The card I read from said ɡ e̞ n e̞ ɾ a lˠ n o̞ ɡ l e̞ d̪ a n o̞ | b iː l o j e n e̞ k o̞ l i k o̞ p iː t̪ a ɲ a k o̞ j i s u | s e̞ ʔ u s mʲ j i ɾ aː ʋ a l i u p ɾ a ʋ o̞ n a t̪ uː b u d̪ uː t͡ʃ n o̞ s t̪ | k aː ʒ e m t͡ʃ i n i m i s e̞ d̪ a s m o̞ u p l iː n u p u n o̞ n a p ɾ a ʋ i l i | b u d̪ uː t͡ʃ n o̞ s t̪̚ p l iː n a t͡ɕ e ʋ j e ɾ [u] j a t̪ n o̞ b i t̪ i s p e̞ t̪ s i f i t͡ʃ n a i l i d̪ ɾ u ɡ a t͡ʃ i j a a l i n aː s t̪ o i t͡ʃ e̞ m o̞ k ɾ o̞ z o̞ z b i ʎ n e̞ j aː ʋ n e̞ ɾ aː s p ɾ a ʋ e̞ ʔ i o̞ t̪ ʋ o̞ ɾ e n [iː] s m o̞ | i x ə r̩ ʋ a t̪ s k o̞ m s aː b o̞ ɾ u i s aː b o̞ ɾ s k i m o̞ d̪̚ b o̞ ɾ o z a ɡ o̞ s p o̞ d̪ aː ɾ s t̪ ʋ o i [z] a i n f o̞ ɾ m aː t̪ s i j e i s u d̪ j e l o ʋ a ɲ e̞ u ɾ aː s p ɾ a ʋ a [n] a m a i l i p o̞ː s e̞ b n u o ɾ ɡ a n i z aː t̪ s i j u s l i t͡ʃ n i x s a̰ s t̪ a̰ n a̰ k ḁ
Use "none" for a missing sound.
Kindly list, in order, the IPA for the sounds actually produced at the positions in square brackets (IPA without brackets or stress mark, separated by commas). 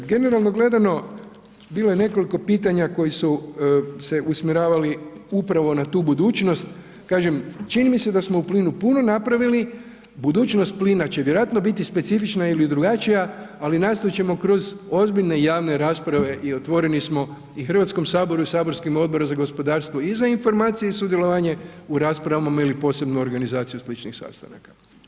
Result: o, i, z, m